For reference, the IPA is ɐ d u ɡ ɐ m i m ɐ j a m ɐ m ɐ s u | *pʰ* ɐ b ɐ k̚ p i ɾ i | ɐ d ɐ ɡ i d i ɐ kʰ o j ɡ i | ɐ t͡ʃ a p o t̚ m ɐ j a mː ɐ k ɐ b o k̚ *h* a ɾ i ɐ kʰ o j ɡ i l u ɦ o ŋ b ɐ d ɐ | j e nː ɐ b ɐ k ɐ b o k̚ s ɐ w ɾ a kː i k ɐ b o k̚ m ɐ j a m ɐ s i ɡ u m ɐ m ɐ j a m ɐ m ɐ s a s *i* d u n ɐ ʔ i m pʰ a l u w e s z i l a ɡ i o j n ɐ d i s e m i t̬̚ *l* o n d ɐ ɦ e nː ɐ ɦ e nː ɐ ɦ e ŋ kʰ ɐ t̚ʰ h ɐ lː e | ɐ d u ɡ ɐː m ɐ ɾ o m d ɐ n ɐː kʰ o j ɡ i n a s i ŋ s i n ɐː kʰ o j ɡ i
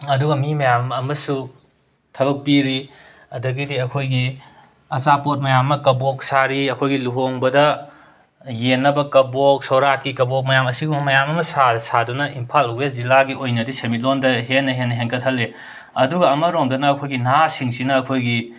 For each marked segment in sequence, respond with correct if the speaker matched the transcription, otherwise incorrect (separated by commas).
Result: incorrect, incorrect, incorrect, correct